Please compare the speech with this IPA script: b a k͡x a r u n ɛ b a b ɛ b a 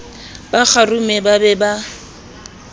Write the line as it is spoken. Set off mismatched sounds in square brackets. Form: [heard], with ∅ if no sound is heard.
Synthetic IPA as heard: b a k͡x a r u [m] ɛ b a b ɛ b a